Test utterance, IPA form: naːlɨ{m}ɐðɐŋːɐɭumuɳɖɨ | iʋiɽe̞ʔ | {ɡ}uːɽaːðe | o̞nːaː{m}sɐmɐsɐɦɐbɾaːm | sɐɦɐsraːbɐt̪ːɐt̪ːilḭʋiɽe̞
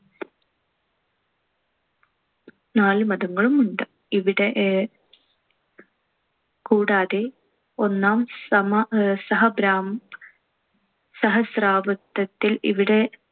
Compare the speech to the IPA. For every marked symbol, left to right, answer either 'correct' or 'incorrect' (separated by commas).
correct, incorrect, correct